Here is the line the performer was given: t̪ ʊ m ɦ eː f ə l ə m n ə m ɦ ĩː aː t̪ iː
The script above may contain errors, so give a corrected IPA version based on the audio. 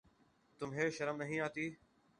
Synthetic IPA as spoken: t̪ ʊ m ɦ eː ʃ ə ɾ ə m n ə ɦ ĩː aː t̪ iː

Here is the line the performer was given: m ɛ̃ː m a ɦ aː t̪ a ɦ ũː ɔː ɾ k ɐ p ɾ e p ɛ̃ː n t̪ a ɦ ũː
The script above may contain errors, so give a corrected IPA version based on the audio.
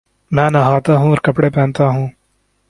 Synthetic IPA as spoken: m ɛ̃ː n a ɦ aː t̪ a ɦ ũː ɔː ɾ k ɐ p ɽ e p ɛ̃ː n t̪ a ɦ ũː

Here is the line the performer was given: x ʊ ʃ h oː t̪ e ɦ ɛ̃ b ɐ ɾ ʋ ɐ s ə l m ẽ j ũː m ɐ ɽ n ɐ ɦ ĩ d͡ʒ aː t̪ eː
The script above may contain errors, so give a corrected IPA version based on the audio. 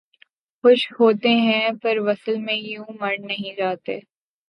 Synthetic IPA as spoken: x ʊ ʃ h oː t̪ e ɦ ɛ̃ p ɐ ɾ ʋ ɐ s ə l m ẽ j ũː m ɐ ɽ n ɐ ɦ ĩ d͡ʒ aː t̪ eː

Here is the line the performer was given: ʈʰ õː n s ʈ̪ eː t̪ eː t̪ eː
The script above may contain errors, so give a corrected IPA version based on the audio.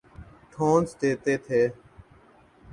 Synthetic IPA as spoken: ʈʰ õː n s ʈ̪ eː t̪ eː t̪ʰ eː

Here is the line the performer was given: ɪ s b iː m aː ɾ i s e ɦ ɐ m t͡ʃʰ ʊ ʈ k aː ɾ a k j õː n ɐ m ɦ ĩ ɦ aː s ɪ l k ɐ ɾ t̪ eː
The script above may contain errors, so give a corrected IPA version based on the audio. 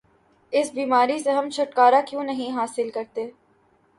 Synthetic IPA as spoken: ɪ s b iː m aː ɾ i s e ɦ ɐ m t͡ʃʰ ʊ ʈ k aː ɾ a k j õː n ɐ ɦ ĩ ɦ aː s ɪ l k ɐ ɾ t̪ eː

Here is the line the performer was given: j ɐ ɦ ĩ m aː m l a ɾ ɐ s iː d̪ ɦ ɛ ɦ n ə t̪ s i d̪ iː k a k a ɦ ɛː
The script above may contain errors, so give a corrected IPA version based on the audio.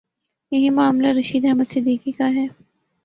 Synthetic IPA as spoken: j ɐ ɦ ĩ m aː m l a ɾ ɐ ʃ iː d̪ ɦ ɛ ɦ m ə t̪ s ɪ d̪ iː k i k a ɦ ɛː

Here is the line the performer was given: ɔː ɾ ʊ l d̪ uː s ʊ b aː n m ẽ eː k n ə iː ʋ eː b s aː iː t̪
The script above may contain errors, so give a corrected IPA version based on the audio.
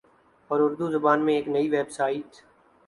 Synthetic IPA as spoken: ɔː ɾ ʊ ɾ d̪ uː z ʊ b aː n m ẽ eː k n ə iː ʋ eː b s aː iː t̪

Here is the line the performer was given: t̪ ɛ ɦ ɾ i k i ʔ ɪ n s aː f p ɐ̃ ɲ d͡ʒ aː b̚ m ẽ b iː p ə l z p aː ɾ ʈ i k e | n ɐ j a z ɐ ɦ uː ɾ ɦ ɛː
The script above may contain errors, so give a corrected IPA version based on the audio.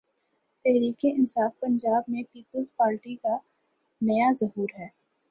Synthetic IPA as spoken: t̪ ɛ ɦ ɾ iː k e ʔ ɪ n s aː f p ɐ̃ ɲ d͡ʒ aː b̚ m ẽ p iː p ə l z p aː ɾ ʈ i k a | n ɐ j a z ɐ ɦ uː ɾ ɦ ɛː

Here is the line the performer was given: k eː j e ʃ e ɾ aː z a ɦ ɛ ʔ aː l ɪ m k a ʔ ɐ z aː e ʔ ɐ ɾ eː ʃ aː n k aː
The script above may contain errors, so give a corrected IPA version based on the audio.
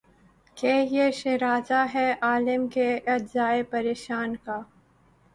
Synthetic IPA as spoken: k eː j e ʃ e ɾ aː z a ɦ ɛ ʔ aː l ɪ m k e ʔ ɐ z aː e p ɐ ɾ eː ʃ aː n k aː

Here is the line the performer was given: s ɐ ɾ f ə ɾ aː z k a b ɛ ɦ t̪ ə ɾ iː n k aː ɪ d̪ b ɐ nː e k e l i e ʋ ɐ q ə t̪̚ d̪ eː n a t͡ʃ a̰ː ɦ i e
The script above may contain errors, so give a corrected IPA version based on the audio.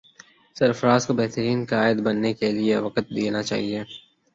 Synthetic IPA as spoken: s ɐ ɾ f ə ɾ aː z k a b ɛ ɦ t̪ ə ɾ iː n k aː ɪ d̪ b ɐ nː e k e l i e ʋ ɐ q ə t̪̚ d̪ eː n a t͡ʃ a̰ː ɦ i e

